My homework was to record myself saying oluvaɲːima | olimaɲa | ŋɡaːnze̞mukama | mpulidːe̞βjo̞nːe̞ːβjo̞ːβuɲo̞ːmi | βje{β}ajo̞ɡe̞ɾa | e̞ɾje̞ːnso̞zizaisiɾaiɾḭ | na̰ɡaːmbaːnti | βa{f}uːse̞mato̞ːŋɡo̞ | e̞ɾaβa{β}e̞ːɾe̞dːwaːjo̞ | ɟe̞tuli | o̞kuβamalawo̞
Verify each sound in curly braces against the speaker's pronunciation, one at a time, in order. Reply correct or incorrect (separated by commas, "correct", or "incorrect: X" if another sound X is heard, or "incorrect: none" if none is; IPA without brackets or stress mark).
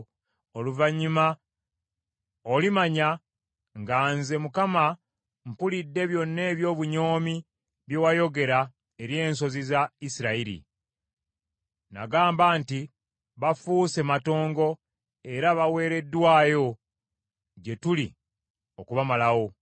incorrect: w, correct, incorrect: w